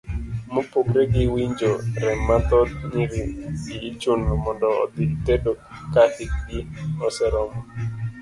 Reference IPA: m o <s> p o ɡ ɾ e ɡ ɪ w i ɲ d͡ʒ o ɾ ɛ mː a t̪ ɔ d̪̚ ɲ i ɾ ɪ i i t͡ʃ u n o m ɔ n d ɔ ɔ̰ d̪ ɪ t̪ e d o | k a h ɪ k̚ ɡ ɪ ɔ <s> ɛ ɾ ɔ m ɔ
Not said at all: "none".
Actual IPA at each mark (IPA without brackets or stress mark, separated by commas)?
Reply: none, s